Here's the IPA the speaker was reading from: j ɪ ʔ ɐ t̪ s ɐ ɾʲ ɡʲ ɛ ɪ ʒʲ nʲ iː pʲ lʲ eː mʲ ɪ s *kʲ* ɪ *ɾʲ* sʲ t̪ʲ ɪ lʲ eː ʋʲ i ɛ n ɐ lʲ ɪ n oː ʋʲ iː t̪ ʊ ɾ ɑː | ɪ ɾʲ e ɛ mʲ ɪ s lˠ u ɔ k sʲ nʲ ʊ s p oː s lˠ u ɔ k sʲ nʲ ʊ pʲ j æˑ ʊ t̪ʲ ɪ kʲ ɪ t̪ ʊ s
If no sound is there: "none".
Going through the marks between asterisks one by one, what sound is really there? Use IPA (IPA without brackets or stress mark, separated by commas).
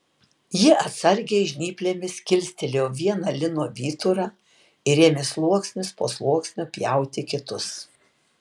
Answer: kʲ, lʲ